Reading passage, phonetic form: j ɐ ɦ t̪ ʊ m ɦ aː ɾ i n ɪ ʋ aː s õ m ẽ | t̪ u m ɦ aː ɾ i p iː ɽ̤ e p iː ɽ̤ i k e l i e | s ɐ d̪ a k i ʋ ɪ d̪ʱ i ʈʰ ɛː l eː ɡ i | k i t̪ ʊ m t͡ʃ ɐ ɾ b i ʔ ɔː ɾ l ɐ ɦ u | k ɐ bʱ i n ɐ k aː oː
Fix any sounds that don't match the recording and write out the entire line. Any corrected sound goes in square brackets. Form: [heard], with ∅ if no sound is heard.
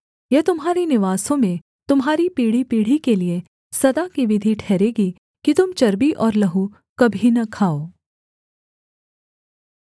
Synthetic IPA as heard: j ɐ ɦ t̪ ʊ m ɦ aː ɾ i n ɪ ʋ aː s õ m ẽ | t̪ [ʊ] m ɦ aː ɾ i p iː ɽ̤ [i] p iː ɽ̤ i k e l i e | s ɐ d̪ a k i ʋ ɪ d̪ʱ i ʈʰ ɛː [ɾ] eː ɡ i | k i t̪ ʊ m t͡ʃ ɐ ɾ b i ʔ ɔː ɾ l ɐ ɦ u | k ɐ bʱ i n ɐ [kʰ] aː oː

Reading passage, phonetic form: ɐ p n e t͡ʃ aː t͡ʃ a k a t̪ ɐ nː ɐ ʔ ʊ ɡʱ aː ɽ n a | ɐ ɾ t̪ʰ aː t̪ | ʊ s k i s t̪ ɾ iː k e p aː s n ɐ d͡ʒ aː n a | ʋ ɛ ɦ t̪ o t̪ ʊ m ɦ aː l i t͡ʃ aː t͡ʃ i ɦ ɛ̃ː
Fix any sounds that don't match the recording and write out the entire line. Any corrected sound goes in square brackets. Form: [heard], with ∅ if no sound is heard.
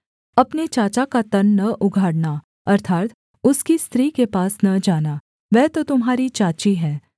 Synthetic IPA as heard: ɐ p n e t͡ʃ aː t͡ʃ a k a t̪ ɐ nː ɐ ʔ ʊ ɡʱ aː ɽ n a | ɐ ɾ t̪ʰ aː t̪ | ʊ s k i s t̪ ɾ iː k e p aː s n ɐ d͡ʒ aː n a | ʋ ɛ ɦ t̪ o t̪ ʊ m ɦ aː [ɾ] i t͡ʃ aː t͡ʃ i ɦ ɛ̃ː

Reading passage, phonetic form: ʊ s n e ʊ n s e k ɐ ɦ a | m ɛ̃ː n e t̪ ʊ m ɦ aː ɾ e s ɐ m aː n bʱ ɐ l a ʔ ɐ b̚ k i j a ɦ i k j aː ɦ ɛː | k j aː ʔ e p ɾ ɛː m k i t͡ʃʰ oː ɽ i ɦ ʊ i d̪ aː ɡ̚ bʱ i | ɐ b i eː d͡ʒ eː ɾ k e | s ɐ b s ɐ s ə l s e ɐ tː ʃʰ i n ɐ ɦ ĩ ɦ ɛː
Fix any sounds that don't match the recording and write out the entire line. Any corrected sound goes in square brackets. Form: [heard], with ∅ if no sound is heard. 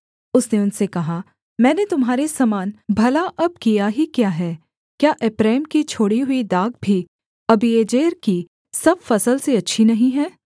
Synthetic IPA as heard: ʊ s n e ʊ n s e k ɐ ɦ a | m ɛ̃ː n e t̪ ʊ m ɦ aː ɾ e s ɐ m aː n bʱ ɐ l a ʔ ɐ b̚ k i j a ɦ i k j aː ɦ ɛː | k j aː ʔ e p ɾ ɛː m k i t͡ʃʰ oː ɽ i ɦ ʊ i d̪ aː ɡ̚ bʱ i | ɐ b i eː d͡ʒ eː ɾ k [i] | s ɐ b [f] ɐ s ə l s e ɐ tː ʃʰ i n ɐ ɦ ĩ ɦ ɛː

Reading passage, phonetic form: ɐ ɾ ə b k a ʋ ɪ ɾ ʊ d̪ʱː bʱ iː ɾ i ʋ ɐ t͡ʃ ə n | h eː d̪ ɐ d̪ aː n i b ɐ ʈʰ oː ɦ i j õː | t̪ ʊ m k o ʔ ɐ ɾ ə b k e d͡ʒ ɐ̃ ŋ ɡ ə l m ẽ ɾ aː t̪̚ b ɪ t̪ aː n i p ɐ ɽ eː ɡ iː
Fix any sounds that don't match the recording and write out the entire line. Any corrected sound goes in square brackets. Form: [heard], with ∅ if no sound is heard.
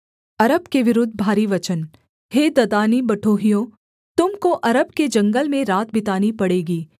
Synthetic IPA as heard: ɐ ɾ ə b k [e] ʋ ɪ ɾ ʊ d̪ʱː bʱ [aː] ɾ i ʋ ɐ t͡ʃ ə n | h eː d̪ ɐ d̪ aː n i b ɐ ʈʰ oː ɦ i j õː | t̪ ʊ m k o ʔ ɐ ɾ ə b k e d͡ʒ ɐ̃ ŋ ɡ ə l m ẽ ɾ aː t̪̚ b ɪ t̪ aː n i p ɐ ɽ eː ɡ iː

